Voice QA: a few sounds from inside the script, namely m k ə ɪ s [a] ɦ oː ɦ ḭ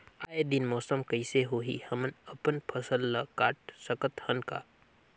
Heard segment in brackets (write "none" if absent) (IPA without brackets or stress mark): e